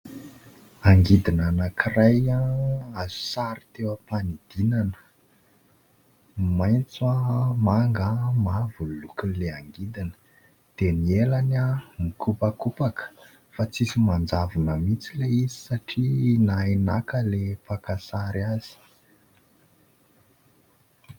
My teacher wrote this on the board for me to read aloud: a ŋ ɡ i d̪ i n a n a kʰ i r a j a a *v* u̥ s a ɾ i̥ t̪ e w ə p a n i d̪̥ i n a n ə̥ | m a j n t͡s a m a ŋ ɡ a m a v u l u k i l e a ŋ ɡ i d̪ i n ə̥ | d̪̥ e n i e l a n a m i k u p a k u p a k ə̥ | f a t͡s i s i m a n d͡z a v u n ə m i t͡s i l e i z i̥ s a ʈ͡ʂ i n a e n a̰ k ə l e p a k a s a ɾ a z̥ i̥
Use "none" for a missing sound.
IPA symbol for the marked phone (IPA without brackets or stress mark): z